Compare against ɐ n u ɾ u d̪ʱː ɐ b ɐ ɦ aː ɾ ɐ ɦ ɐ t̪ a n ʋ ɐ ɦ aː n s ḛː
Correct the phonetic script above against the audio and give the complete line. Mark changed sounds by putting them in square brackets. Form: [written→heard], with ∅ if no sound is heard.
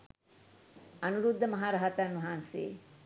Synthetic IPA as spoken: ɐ n u ɾ u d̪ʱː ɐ [b→m] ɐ ɦ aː ɾ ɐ ɦ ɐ t̪ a n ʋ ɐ ɦ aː n s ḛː